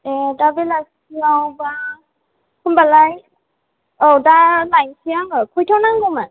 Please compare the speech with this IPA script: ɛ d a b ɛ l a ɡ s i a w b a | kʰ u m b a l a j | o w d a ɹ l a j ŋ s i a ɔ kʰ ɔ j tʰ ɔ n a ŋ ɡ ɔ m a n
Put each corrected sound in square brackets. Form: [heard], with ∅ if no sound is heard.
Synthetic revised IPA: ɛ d a b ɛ l a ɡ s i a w b a | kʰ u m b a l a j | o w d a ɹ l a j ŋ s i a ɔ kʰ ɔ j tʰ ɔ n a ŋ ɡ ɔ m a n